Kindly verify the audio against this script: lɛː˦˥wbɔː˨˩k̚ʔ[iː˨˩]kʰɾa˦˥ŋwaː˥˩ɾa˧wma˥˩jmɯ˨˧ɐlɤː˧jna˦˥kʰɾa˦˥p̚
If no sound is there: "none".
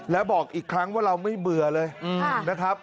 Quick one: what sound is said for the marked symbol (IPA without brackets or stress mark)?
iː˨˩